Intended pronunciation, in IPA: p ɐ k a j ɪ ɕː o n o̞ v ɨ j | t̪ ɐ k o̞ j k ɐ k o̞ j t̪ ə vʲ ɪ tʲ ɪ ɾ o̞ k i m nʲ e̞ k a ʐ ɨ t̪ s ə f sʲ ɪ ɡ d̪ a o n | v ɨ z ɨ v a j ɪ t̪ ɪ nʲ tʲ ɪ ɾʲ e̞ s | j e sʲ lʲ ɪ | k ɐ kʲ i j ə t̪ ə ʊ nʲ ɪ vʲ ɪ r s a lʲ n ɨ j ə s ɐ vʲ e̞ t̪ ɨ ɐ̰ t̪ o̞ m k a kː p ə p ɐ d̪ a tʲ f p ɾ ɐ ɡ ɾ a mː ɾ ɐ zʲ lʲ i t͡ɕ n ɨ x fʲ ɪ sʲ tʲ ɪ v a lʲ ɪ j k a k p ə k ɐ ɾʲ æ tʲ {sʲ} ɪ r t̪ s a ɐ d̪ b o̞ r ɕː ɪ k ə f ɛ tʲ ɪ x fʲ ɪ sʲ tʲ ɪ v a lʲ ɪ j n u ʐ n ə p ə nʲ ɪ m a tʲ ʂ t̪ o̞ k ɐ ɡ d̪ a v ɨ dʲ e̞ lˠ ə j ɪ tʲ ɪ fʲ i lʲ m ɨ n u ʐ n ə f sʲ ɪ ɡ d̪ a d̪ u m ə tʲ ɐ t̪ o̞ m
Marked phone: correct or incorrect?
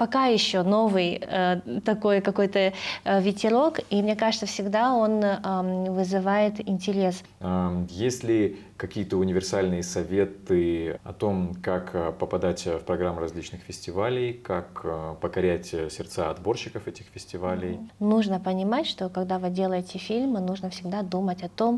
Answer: correct